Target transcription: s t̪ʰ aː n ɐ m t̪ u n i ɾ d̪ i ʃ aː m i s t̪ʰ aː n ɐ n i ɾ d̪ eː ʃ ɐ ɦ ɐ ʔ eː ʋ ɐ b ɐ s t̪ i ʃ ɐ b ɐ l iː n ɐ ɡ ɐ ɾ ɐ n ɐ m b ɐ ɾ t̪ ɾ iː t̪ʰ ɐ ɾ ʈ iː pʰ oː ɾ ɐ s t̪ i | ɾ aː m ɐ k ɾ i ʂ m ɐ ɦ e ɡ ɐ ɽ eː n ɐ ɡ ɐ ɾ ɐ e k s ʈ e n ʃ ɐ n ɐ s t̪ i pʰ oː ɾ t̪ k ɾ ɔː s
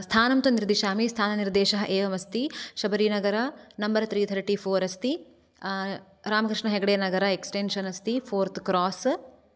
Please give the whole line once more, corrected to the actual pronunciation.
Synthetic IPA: s t̪ʰ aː n ɐ m t̪ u n i ɾ d̪ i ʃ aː m i s t̪ʰ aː n ɐ n i ɾ d̪ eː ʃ ɐ ɦ ɐ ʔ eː ʋ ɐ m ɐ s t̪ i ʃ ɐ b ɐ ɾ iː n ɐ ɡ ɐ ɾ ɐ n ɐ m b ɐ ɾ t̪ ɾ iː t̪ʰ ɐ ɾ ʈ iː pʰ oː ɾ ɐ s t̪ i | ɾ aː m ɐ k ɾ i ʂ ɳ ɐ ɦ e ɡ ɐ ɽ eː n ɐ ɡ ɐ ɾ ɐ e k s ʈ e n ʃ ɐ n ɐ s t̪ i pʰ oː ɾ t̪ k ɾ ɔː s

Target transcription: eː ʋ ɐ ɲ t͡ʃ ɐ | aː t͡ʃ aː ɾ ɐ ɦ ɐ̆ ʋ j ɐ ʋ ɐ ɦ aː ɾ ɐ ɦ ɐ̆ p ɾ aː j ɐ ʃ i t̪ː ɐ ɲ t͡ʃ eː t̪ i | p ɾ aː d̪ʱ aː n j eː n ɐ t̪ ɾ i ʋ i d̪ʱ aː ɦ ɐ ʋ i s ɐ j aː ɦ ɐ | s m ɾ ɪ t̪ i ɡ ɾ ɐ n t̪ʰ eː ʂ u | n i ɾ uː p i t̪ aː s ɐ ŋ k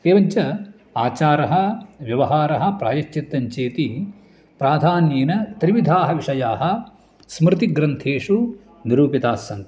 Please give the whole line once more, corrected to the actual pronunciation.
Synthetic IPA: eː ʋ ɐ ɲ t͡ʃ ɐ | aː t͡ʃ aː ɾ ɐ ɦ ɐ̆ ʋ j ɐ ʋ ɐ ɦ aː ɾ ɐ ɦ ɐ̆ p ɾ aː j ɐ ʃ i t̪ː ɐ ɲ t͡ʃ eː t̪ i | p ɾ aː d̪ʱ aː n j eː n ɐ t̪ ɾ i ʋ i d̪ʱ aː ɦ ɐ ʋ i ʂ ɐ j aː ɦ ɐ | s m ɾ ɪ t̪ i ɡ ɾ ɐ n t̪ʰ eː ʂ u | n i ɾ uː p i t̪ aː s ɐ ŋ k

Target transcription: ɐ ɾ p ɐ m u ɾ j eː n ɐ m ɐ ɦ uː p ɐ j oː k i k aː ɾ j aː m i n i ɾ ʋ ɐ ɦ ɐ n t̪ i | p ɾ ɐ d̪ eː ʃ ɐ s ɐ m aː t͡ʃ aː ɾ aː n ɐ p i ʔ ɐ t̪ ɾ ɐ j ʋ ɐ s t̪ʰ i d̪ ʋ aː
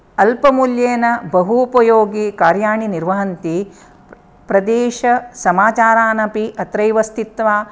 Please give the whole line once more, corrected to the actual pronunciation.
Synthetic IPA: ɐ l p ɐ m u l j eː n ɐ b ɐ ɦ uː p ɐ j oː ɡ i k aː ɾ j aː ɳ i n i ɾ ʋ ɐ ɦ ɐ n t̪ i | p ɾ ɐ d̪ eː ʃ ɐ s ɐ m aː t͡ʃ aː ɾ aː n ɐ p i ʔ ɐ t̪ ɾ ɐ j ʋ ɐ s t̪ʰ i t̪ ʋ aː

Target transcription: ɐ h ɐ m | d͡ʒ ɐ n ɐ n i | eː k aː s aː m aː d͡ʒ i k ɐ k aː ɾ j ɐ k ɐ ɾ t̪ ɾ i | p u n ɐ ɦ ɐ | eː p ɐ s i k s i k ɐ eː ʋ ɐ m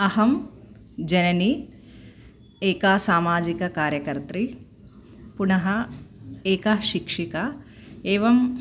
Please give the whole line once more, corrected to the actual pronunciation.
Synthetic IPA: ɐ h ɐ m | d͡ʒ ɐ n ɐ n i | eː k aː s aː m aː d͡ʒ i k ɐ k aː ɾ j ɐ k ɐ ɾ t̪ ɾ i | p u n ɐ ɦ ɐ | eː k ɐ ʃ i k ʂ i k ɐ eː ʋ ɐ m

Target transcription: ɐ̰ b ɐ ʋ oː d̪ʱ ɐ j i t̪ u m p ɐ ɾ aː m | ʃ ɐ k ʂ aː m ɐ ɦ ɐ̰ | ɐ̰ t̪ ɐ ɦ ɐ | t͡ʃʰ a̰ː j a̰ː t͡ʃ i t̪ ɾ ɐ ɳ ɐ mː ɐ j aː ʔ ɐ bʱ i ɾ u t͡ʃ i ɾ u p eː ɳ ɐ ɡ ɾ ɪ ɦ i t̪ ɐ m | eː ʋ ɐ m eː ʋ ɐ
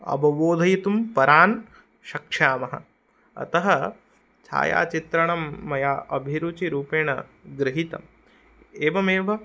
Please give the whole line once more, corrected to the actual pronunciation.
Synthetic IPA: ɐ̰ b ɐ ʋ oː d̪ʱ ɐ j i t̪ u m p ɐ ɾ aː n | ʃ ɐ k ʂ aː m ɐ ɦ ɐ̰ | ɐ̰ t̪ ɐ ɦ ɐ | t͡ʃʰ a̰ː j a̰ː t͡ʃ i t̪ ɾ ɐ ɳ ɐ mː ɐ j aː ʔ ɐ bʱ i ɾ u t͡ʃ i ɾ uː p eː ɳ ɐ ɡ ɾ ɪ ɦ i t̪ ɐ m | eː ʋ ɐ m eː ʋ ɐ

